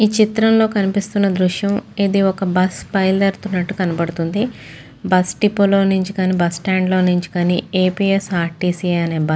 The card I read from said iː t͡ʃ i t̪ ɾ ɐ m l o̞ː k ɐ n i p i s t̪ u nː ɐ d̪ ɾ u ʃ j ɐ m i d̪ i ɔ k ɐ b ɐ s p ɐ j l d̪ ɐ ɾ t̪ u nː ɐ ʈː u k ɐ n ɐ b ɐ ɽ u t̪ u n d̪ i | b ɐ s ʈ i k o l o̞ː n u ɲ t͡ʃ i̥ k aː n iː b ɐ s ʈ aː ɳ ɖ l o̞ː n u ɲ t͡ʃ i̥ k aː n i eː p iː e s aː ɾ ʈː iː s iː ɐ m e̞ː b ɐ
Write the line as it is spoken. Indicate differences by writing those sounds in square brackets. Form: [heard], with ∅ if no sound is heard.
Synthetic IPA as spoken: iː t͡ʃ i t̪ ɾ ɐ m l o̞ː k ɐ n i p i s t̪ u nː ɐ d̪ ɾ u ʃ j ɐ m i d̪ i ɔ k ɐ b ɐ s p ɐ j l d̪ ɐ ɾ t̪ u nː ɐ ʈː u k ɐ n ɐ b ɐ ɽ u t̪ u n d̪ i | b ɐ s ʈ i [p] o l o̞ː n u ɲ t͡ʃ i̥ k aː n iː b ɐ s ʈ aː ɳ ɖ l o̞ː n u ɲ t͡ʃ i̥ k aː n i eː p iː e s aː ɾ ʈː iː s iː ɐ [n] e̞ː b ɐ